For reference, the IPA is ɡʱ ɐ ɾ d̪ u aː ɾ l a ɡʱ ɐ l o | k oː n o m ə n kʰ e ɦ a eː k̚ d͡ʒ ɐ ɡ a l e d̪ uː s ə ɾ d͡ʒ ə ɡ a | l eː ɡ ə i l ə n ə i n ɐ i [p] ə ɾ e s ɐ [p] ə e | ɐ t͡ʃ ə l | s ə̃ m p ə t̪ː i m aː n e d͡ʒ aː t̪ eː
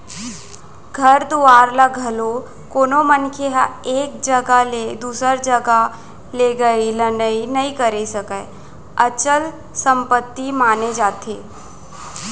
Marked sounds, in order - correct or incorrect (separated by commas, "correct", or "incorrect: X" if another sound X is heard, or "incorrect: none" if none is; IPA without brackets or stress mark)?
incorrect: k, incorrect: k